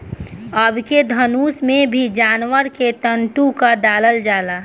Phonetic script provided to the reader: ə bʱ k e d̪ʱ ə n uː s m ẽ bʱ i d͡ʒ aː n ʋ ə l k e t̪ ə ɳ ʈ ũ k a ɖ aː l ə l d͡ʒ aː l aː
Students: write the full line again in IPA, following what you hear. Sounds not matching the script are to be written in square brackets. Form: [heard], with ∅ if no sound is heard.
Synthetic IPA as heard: ə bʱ k e d̪ʱ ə n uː s m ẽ bʱ i d͡ʒ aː n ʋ ə [ɾ] k e t̪ ə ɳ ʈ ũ k a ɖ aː l ə l d͡ʒ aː l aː